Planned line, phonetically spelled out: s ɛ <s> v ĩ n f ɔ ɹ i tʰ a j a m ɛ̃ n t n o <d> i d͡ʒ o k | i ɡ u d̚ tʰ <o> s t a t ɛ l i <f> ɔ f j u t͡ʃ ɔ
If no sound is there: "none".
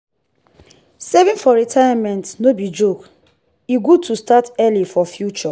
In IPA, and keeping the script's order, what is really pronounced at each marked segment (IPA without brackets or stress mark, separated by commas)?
none, b, u, f